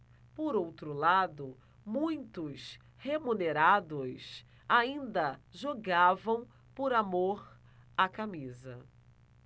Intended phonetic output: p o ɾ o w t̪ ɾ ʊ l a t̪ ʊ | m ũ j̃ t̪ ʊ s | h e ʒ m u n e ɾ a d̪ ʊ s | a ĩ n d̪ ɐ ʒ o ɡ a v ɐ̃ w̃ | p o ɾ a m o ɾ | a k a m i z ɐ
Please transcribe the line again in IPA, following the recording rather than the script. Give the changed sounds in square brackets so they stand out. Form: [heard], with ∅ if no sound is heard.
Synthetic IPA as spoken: p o ɾ o w t̪ ɾ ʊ l a [d̪] ʊ | m ũ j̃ t̪ ʊ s | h e [∅] m u n e ɾ a d̪ ʊ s | a ĩ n d̪ ɐ ʒ o ɡ a v ɐ̃ w̃ | p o ɾ a m o ɾ | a k a m i z ɐ